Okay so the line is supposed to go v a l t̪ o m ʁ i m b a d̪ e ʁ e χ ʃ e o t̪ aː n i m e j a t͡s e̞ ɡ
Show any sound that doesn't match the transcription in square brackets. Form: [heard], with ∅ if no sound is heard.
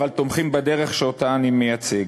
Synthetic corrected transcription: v a l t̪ o m [χ] i m b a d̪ e ʁ e χ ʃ e o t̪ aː n i m e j a t͡s e̞ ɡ